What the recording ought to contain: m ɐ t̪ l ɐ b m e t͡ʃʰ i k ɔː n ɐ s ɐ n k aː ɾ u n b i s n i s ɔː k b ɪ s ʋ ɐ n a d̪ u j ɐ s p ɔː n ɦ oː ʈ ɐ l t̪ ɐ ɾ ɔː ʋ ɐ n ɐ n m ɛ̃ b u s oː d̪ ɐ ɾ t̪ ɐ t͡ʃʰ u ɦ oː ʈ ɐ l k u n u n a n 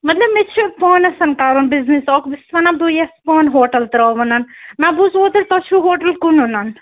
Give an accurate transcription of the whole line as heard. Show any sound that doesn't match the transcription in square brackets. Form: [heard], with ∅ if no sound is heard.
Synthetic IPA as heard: m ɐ t̪ l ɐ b m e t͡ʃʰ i [p] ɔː n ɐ s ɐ n k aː ɾ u n b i [z] n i s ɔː k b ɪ s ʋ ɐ n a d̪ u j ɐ s p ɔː n ɦ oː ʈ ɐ l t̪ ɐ ɾ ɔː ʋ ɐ n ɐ n m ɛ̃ b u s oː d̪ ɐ ɾ t̪ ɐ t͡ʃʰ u ɦ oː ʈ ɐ l k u n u n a n